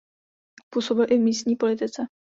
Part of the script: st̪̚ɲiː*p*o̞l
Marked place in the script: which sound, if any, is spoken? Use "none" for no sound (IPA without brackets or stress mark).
p